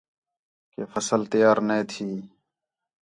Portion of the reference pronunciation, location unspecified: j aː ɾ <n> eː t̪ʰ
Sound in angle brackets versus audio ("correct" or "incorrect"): correct